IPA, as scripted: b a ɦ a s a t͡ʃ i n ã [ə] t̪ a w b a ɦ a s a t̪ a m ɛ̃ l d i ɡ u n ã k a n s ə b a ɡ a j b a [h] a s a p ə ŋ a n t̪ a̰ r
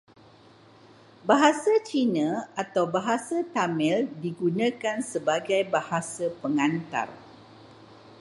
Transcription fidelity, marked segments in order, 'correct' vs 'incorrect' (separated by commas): incorrect, correct